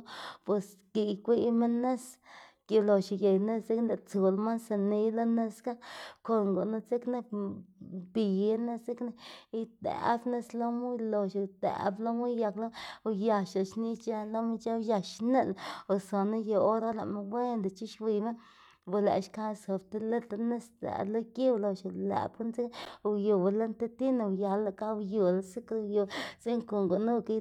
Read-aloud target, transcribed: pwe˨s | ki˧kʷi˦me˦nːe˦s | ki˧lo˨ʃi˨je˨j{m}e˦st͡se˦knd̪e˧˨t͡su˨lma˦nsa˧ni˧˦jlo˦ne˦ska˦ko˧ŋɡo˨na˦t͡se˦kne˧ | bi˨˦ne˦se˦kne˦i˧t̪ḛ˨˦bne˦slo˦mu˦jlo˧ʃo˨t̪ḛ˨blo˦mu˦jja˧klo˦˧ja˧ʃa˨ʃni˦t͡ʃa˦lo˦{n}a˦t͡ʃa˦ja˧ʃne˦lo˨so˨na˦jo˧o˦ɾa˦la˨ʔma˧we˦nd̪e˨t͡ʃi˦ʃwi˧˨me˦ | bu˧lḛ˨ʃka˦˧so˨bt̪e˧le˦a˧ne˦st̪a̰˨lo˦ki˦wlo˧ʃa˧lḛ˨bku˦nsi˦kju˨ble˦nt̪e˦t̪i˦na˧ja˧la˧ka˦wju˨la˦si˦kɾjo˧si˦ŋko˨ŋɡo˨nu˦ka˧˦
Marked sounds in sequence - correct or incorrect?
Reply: incorrect, incorrect

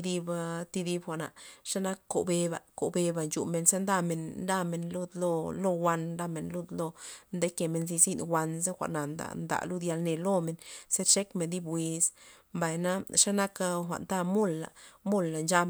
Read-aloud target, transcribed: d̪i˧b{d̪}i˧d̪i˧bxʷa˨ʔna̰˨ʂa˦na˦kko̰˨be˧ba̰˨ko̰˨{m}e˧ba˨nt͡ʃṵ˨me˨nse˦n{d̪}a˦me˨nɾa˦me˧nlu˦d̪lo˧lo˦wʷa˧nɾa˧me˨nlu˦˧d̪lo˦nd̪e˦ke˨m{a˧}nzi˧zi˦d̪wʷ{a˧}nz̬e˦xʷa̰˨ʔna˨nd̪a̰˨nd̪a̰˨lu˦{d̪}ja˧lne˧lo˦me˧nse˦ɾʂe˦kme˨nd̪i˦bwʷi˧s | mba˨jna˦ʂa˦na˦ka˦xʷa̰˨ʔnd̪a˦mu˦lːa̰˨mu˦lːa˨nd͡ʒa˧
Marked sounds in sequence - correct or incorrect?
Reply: incorrect, incorrect, correct, incorrect, correct, correct

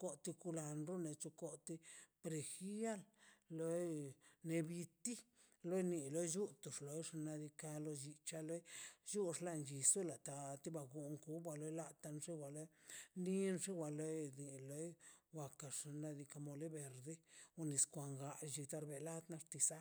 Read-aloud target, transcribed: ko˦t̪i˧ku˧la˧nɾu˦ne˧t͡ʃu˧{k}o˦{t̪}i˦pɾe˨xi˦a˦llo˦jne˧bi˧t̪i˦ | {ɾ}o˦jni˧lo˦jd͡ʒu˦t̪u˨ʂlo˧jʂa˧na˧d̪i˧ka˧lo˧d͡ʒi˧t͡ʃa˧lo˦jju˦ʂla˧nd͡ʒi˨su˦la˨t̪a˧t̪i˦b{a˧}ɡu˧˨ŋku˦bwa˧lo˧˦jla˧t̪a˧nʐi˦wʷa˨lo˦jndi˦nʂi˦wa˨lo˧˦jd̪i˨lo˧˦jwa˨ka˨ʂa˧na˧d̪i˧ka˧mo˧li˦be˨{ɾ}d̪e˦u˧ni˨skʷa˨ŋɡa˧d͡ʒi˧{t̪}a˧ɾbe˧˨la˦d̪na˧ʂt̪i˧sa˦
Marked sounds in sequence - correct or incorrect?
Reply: correct, correct, incorrect, correct, correct, correct

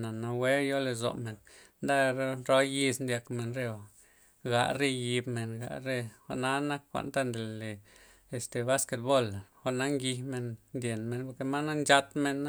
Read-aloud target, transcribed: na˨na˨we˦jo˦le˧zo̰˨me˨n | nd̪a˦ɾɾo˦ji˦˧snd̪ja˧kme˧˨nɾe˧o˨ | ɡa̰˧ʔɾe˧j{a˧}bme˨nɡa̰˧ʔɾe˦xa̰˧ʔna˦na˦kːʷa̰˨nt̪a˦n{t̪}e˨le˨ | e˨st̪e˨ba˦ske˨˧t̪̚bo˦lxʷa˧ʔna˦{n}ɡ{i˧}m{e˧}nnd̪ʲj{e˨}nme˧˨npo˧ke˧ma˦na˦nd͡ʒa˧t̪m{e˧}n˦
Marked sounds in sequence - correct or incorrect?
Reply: incorrect, incorrect, incorrect, correct, correct, correct, correct

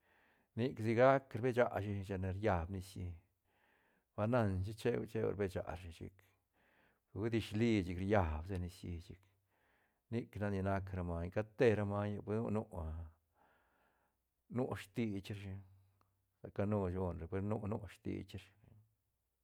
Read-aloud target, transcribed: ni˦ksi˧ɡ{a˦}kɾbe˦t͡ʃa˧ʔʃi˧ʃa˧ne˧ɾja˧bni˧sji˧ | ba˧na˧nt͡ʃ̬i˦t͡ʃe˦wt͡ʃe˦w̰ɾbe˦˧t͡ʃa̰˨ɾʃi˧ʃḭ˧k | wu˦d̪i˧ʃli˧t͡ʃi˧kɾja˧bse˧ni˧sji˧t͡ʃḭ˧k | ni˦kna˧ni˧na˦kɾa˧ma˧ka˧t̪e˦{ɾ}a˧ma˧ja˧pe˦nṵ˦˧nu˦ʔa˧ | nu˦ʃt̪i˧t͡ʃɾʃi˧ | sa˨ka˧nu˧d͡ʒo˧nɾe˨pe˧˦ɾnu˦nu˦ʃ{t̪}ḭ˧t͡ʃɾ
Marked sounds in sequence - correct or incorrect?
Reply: correct, correct, correct

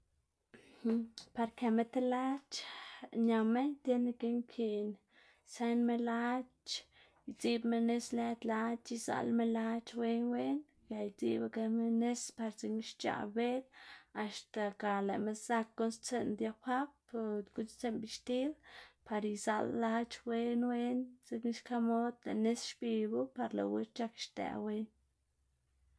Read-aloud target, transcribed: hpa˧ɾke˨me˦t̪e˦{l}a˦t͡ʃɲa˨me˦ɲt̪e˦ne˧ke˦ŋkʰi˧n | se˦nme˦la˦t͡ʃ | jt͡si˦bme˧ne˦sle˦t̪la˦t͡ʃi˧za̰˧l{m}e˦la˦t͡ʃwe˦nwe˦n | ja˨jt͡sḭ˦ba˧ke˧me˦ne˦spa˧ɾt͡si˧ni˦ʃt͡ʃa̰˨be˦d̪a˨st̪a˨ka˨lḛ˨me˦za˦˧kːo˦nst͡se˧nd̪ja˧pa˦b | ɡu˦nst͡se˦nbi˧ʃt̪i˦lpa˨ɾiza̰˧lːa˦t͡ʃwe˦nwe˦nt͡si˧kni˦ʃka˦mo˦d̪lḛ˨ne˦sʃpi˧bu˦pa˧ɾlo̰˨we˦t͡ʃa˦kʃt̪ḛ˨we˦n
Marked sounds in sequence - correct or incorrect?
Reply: correct, correct

